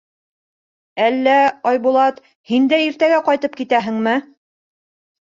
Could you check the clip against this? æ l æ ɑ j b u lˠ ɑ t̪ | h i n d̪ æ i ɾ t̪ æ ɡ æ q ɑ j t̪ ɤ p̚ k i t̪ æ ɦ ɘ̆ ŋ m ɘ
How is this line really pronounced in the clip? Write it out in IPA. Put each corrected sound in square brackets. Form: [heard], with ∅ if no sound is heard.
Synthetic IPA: æ [lː] æ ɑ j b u lˠ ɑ t̪ | h i n d̪ æ i ɾ t̪ æ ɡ æ q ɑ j t̪ ɤ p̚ k i t̪ æ ɦ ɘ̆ ŋ m ɘ